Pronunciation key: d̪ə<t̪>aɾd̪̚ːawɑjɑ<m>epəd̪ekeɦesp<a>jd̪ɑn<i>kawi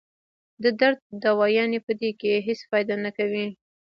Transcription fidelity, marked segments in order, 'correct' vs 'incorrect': incorrect: d̪, incorrect: n, incorrect: ɑ, incorrect: a

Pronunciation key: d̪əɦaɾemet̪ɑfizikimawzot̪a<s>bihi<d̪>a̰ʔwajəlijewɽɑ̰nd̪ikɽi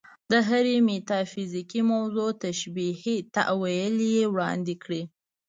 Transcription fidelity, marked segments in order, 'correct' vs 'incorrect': incorrect: ʃ, incorrect: t̪

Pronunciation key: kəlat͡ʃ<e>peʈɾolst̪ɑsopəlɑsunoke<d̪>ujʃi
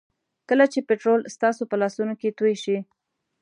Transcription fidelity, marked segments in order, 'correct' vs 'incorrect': correct, incorrect: t̪

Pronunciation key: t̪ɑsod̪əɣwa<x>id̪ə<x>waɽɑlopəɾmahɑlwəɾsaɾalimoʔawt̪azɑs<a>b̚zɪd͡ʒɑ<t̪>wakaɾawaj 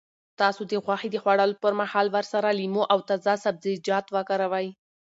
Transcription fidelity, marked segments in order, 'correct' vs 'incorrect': correct, correct, correct, correct

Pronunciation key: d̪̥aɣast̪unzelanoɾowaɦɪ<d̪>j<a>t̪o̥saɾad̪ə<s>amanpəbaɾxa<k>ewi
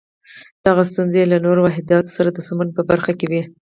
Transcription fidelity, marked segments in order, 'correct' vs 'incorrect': correct, incorrect: ɑ, correct, correct

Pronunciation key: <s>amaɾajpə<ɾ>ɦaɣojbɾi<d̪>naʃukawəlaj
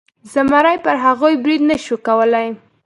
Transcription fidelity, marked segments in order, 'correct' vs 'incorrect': incorrect: z, correct, correct

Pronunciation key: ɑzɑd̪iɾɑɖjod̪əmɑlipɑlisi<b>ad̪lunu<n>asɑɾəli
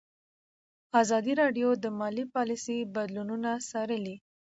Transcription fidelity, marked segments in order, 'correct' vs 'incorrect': correct, correct

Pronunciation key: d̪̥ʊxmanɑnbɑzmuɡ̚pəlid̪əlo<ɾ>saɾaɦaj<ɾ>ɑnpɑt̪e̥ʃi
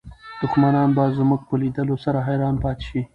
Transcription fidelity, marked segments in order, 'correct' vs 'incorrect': incorrect: none, correct

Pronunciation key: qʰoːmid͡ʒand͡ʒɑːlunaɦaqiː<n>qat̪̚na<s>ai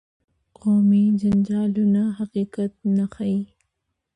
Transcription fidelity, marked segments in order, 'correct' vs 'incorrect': incorrect: none, incorrect: x

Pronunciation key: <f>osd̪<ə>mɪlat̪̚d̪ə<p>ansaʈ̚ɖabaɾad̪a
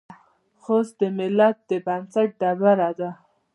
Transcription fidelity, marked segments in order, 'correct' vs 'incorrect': incorrect: x, correct, incorrect: b

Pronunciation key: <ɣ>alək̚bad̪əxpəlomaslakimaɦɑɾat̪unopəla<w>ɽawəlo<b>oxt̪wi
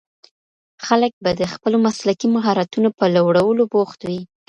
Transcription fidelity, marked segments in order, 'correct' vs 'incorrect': incorrect: x, correct, correct

